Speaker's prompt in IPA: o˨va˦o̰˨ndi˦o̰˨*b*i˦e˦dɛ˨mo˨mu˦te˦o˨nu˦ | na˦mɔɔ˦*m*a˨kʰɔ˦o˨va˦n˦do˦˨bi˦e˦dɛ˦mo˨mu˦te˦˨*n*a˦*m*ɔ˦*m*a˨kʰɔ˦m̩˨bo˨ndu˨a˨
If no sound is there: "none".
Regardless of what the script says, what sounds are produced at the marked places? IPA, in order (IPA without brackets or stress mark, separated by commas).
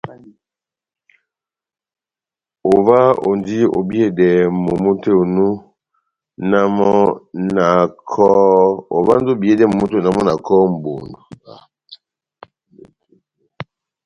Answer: b, n, n, m, n